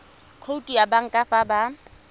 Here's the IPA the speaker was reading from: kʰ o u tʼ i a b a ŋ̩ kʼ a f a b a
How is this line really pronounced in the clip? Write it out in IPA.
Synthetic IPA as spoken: kʰ o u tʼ i a b a ŋ̩ kʼ a f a b a